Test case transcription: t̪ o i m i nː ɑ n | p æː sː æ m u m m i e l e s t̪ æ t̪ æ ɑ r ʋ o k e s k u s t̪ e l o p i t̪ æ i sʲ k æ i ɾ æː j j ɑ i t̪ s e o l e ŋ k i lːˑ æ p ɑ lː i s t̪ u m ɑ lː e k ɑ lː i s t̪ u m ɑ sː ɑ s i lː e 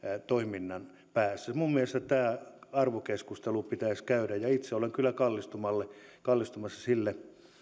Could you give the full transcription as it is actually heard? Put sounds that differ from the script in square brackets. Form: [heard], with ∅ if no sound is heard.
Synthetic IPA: t̪ o i m i nː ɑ n | p æː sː æ m u m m i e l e s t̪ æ t̪ [æː] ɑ r ʋ o k e s k u s t̪ e l [u] p i t̪ æ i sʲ k æ [y] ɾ [æ] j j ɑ i t̪ s e o l e ŋ k [y] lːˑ æ [k] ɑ lː i s t̪ u m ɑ lː e k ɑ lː i s t̪ u m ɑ sː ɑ s i lː e